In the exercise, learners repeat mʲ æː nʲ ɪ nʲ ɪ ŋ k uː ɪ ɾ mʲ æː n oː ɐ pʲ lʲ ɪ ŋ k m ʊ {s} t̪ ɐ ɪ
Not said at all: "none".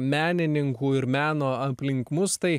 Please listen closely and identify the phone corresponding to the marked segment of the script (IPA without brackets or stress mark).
s